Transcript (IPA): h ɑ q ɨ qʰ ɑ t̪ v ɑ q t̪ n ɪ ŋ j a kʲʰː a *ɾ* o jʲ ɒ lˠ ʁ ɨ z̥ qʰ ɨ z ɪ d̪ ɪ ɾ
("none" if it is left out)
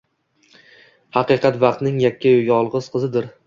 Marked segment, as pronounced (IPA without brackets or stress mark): none